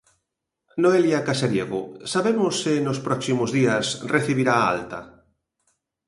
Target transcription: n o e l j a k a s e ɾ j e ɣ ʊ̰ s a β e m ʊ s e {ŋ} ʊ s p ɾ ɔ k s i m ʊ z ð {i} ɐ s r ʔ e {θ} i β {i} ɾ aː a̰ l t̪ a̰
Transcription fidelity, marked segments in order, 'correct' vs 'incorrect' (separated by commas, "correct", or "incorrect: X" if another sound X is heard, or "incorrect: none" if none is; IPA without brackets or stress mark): incorrect: n, correct, correct, correct